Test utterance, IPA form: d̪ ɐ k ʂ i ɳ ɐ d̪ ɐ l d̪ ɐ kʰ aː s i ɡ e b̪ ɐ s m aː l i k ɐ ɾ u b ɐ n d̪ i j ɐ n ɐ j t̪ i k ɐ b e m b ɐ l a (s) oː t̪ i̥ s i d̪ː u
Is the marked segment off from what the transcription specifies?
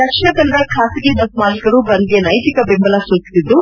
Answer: no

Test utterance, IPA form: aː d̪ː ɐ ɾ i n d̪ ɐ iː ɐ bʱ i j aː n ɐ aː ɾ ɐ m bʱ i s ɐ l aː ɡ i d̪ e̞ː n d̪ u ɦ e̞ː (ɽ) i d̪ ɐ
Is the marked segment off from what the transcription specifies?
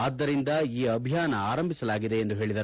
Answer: yes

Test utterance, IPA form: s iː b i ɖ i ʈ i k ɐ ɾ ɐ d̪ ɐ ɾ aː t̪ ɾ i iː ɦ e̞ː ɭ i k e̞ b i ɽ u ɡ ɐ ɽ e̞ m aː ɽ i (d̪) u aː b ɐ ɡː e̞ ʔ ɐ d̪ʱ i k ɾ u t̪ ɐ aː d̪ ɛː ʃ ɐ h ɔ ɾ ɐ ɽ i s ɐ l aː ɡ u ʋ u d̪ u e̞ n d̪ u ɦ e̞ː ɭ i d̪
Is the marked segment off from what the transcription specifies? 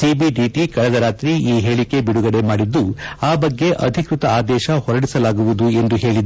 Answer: yes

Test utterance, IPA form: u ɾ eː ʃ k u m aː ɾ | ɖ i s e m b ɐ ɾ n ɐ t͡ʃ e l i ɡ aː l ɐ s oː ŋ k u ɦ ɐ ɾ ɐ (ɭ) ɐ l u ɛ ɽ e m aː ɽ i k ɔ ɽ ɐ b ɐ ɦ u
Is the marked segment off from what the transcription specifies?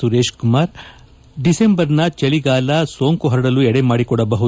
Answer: yes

